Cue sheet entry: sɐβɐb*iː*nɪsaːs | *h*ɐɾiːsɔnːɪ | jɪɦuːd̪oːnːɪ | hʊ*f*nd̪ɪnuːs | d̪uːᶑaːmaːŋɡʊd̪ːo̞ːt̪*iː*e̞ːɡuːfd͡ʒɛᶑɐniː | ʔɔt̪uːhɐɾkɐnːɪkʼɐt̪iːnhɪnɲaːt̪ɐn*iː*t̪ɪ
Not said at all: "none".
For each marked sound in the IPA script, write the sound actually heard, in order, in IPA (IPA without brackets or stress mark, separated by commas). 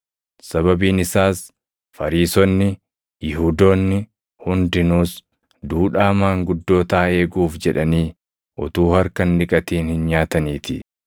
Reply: iː, f, none, aː, iː